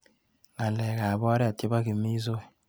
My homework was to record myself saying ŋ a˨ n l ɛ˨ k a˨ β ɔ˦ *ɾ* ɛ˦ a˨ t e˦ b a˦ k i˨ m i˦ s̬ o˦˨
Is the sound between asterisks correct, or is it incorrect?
correct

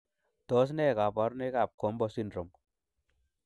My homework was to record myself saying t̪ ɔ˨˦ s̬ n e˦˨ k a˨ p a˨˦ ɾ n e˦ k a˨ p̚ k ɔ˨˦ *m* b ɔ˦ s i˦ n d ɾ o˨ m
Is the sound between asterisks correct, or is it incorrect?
correct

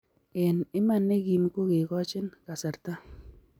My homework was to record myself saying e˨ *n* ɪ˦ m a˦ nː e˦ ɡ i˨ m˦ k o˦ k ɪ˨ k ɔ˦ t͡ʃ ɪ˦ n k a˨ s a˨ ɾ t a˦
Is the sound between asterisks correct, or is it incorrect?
correct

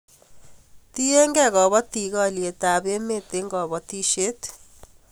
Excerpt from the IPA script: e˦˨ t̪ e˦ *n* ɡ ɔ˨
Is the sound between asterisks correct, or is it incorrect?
incorrect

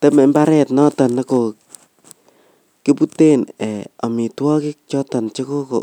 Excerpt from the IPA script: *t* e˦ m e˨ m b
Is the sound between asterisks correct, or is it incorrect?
correct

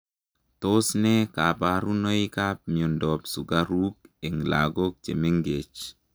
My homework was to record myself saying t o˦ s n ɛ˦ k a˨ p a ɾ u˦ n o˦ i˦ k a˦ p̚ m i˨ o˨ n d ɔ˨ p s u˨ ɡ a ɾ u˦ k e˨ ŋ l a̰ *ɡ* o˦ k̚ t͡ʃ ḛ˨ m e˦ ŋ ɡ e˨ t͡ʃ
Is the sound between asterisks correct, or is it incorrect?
correct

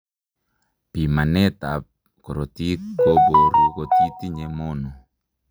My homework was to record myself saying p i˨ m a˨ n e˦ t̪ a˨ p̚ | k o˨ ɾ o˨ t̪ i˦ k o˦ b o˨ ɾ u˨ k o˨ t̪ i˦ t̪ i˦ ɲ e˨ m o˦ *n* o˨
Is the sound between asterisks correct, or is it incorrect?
correct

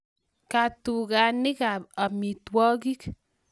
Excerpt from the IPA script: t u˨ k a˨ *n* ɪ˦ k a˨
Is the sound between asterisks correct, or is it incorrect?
correct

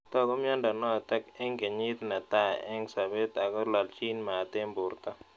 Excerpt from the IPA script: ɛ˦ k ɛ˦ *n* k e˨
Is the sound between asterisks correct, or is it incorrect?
incorrect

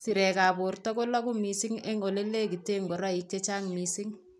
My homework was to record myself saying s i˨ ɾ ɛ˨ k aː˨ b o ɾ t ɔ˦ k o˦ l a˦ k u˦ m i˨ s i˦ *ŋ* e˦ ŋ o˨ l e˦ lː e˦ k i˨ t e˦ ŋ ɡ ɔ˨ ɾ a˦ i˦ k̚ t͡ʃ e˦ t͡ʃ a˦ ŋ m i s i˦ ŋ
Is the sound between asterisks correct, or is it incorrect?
correct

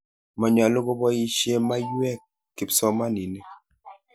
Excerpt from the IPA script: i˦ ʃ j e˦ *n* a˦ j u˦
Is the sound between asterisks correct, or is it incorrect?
incorrect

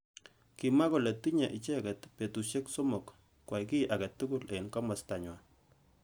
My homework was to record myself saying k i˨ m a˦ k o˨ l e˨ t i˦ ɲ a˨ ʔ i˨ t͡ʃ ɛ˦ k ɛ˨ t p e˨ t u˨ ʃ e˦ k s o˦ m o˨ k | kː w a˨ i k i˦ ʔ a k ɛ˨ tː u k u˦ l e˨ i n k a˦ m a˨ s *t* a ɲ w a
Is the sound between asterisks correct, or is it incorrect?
correct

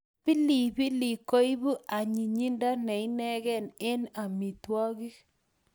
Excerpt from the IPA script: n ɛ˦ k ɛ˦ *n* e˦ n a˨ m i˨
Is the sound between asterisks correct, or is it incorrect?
correct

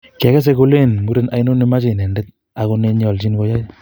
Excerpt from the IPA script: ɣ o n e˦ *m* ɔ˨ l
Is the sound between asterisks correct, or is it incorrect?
incorrect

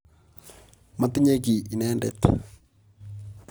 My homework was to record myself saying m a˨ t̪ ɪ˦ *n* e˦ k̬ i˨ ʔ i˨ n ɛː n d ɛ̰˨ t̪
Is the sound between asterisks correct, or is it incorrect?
incorrect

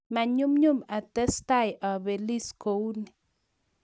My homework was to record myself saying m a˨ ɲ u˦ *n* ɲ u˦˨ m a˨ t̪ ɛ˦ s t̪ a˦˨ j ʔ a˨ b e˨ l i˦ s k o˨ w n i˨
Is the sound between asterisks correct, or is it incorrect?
incorrect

